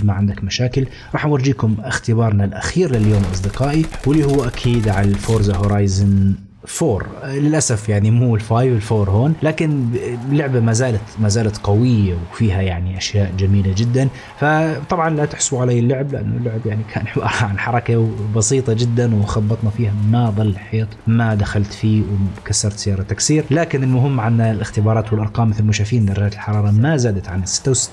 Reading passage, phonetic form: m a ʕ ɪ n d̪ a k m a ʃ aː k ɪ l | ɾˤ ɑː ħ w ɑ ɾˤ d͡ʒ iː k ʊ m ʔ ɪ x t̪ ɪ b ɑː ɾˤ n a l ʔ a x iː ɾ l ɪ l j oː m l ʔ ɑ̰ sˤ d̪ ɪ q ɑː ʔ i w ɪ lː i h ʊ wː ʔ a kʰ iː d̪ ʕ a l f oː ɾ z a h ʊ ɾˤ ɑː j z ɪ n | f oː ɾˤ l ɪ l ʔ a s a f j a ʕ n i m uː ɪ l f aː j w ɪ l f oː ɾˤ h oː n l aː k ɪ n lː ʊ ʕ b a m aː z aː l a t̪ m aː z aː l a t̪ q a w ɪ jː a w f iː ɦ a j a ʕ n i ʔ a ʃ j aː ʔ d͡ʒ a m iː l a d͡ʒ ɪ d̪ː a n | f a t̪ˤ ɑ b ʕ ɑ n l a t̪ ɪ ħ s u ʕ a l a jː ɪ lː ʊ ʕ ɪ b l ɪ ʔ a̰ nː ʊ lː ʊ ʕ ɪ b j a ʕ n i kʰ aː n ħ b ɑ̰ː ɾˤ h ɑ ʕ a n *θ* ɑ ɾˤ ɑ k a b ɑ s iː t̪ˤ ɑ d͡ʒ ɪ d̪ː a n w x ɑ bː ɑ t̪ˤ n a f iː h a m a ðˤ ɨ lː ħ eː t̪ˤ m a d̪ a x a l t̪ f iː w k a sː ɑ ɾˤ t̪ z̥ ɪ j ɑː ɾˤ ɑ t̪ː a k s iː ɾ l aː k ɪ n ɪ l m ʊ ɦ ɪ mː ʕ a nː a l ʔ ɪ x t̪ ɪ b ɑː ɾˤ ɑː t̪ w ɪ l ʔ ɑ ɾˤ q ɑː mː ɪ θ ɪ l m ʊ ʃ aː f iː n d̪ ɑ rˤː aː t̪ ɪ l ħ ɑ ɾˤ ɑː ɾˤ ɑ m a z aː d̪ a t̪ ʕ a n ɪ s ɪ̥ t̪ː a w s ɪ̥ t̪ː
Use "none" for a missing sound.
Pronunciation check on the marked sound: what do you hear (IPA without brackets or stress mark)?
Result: ħ